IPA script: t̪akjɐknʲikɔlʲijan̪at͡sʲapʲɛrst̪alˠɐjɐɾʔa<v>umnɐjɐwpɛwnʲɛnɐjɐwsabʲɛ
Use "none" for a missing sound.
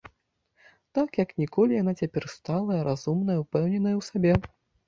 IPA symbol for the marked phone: z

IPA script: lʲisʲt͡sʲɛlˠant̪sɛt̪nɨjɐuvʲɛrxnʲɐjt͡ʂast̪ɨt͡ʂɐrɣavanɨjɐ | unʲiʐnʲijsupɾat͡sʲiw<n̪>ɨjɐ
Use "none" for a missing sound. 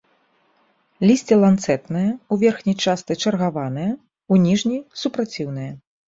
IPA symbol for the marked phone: n̪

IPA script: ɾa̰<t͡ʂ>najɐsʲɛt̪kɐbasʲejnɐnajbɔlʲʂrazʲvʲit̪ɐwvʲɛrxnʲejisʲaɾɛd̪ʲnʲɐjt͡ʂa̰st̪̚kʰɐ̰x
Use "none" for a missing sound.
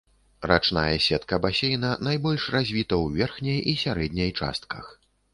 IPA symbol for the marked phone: t͡ʂ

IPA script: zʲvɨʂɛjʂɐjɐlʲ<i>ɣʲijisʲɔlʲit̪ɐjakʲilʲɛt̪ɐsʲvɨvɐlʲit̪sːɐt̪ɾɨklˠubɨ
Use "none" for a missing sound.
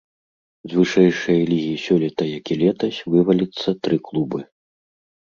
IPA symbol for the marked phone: i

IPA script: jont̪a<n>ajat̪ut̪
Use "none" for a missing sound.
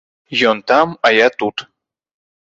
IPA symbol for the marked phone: m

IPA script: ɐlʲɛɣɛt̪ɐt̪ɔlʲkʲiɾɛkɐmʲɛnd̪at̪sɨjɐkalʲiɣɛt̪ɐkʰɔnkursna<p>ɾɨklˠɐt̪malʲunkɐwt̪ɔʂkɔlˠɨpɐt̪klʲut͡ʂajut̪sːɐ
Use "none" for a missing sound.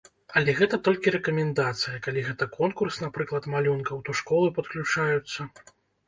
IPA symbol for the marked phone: p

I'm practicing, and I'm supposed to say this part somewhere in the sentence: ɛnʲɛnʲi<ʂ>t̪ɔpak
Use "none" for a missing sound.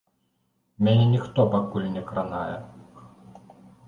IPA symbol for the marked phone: x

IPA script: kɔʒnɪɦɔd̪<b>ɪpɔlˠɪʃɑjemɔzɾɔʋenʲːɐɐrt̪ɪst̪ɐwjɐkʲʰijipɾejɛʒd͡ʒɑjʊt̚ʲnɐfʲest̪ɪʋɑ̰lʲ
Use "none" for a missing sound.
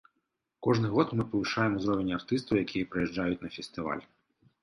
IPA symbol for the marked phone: m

